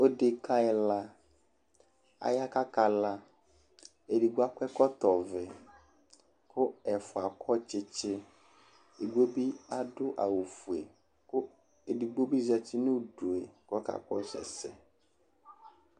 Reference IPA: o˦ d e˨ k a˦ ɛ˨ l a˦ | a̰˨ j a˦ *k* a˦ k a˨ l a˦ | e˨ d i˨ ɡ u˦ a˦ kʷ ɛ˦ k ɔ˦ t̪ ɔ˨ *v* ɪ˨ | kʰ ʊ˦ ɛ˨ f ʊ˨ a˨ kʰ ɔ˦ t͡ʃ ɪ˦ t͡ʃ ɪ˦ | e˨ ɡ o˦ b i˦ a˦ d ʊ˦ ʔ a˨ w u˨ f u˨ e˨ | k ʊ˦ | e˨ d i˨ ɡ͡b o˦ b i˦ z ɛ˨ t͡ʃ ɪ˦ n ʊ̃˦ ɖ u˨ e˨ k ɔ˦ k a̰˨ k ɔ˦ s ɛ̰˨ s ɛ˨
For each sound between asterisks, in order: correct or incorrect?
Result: correct, correct

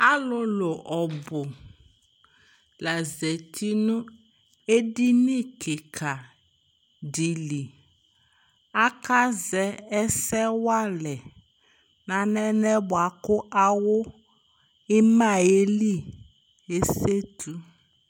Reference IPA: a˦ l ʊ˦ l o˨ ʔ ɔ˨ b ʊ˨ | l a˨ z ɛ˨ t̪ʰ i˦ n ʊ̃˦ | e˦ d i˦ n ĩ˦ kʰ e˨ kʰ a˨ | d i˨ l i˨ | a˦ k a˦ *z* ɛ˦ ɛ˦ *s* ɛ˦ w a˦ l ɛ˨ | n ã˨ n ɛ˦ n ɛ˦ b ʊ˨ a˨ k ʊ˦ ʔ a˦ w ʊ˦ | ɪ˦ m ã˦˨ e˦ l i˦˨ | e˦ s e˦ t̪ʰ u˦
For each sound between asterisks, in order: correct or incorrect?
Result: correct, correct

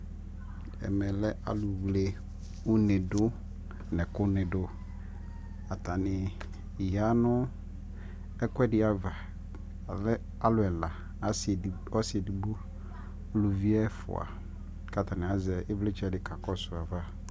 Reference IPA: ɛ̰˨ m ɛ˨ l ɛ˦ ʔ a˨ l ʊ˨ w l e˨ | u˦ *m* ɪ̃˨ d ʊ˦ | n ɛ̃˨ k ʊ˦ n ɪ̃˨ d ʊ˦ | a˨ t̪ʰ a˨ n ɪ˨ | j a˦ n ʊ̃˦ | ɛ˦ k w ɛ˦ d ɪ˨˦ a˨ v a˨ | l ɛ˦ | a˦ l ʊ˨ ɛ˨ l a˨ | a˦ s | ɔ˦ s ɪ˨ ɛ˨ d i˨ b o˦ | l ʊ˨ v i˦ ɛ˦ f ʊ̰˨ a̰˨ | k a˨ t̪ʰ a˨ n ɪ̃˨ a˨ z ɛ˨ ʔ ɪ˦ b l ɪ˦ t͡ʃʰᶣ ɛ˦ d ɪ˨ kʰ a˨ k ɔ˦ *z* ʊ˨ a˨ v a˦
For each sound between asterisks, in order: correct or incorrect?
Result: incorrect, incorrect

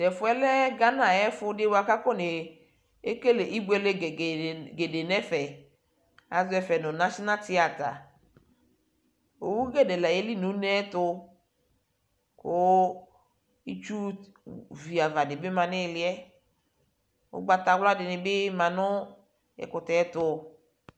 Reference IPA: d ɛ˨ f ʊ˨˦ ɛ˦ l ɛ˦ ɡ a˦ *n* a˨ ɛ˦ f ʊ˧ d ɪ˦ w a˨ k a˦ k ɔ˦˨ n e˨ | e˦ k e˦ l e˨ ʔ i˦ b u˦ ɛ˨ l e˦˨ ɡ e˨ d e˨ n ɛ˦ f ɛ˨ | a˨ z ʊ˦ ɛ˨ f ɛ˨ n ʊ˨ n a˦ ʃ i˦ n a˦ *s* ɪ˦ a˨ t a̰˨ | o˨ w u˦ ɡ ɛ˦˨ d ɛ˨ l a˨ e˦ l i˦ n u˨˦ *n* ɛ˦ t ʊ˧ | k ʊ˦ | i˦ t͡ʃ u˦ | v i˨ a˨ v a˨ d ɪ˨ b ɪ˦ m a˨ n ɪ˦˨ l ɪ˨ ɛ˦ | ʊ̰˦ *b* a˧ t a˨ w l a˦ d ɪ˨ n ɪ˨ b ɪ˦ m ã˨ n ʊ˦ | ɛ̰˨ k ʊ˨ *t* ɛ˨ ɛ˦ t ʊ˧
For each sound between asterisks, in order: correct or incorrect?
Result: correct, incorrect, correct, incorrect, correct

